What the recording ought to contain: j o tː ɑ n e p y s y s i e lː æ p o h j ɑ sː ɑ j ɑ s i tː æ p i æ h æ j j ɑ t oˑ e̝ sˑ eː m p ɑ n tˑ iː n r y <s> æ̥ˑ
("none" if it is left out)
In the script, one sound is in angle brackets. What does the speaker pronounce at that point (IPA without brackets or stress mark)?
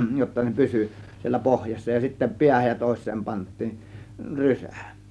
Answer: s